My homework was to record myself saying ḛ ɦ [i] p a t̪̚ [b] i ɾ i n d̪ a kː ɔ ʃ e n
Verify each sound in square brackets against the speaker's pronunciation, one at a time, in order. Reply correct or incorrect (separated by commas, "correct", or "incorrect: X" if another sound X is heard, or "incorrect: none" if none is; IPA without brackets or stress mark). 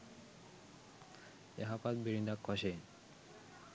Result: incorrect: a, correct